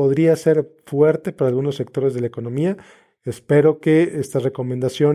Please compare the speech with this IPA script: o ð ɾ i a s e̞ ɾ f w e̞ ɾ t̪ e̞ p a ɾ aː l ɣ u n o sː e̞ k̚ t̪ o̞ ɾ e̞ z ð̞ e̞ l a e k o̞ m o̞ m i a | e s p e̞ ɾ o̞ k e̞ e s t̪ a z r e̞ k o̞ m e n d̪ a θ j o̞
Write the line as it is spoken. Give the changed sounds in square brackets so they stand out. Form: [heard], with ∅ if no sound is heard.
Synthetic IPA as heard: o ð ɾ i a s e̞ ɾ f w e̞ ɾ t̪ e̞ p a ɾ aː l ɣ u n o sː e̞ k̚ t̪ o̞ ɾ e̞ z ð̞ e̞ l a e k o̞ [n] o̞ m i a | e s p e̞ ɾ o̞ k e̞ e s t̪ a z r e̞ k o̞ m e n d̪ a [s] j o̞